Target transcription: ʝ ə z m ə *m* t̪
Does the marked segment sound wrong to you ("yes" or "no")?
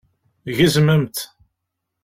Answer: no